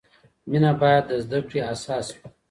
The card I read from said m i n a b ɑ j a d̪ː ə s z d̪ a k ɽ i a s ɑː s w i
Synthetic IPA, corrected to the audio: m i n a b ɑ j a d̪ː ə z d̪ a k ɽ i a s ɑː s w i